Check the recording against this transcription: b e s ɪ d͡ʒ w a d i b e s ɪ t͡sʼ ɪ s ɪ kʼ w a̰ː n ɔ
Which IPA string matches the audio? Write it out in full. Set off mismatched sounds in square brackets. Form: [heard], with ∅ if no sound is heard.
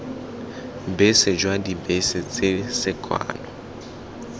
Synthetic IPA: b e s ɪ d͡ʒ w a d i b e s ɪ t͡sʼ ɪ s ɪ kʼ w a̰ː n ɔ